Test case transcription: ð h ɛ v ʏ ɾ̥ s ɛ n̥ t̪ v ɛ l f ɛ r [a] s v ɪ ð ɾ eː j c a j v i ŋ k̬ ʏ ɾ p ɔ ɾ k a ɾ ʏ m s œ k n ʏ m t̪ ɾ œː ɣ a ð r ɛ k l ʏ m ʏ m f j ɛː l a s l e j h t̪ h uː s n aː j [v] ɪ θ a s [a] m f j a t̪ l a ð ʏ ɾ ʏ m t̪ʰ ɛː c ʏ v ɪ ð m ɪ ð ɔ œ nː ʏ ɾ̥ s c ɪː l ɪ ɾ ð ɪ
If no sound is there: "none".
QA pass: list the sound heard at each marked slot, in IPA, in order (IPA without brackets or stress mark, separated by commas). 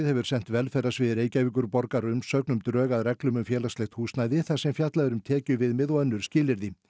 a, ð, ɛ